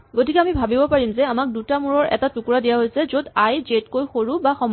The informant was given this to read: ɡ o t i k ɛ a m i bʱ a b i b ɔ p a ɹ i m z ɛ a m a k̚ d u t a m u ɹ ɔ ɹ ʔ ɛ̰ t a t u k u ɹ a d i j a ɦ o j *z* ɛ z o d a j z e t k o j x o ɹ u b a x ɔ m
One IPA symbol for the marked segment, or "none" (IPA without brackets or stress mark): s